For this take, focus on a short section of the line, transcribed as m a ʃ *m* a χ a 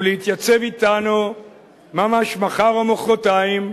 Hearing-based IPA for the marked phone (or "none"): m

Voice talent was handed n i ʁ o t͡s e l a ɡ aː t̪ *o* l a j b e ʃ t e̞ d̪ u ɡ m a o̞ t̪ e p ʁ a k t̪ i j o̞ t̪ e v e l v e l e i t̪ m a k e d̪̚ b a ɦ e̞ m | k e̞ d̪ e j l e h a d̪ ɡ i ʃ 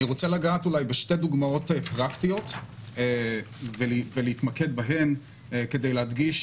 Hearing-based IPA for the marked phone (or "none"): u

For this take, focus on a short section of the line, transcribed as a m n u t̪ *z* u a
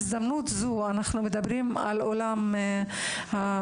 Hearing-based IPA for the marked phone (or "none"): z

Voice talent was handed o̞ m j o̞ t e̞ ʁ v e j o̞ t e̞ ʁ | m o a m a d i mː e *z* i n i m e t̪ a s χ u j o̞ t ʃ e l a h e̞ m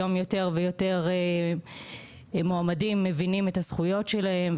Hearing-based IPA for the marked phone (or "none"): v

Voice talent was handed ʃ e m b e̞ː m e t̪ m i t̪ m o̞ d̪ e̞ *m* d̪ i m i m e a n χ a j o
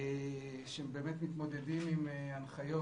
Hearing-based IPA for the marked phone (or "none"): none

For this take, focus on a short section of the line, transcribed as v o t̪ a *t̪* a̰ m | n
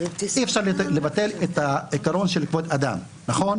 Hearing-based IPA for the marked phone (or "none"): d̪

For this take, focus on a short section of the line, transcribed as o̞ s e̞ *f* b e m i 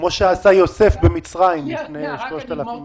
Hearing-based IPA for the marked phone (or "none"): f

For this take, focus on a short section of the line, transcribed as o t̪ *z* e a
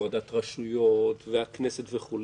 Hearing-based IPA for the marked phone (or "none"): v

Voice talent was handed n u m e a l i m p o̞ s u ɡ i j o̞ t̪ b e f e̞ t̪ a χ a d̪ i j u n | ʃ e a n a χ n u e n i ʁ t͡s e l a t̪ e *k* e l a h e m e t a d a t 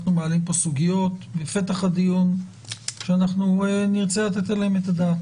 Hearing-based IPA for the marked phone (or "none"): t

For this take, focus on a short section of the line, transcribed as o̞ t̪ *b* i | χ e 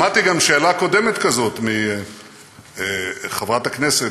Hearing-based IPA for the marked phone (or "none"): m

